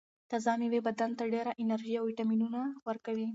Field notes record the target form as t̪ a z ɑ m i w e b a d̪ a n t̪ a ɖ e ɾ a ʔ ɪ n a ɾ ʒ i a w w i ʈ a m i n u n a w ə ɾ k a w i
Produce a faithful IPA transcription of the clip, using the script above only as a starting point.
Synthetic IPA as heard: t̪ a z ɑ m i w e b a d̪ a n t̪ a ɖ e ɾ a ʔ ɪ n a ɾ ʒ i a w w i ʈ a m i n u n a w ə ɾ k a w i